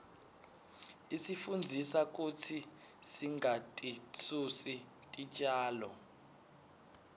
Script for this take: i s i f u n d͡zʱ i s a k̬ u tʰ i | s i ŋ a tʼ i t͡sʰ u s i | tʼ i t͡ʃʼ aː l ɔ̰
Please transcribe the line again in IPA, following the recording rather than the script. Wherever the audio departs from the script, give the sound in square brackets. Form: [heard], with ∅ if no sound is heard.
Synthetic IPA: i s i f u n d͡zʱ i s a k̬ u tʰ i | s i ŋ a tʼ i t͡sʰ u s i | tʼ i t͡ʃʼ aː l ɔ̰